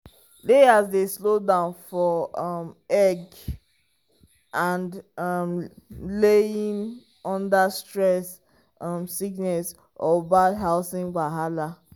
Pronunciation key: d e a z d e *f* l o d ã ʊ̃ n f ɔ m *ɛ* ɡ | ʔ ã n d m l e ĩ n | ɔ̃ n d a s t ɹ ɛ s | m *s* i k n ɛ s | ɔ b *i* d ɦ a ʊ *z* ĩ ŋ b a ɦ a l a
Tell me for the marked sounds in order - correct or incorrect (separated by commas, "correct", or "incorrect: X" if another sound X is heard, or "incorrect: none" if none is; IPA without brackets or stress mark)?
incorrect: s, correct, correct, incorrect: a, incorrect: s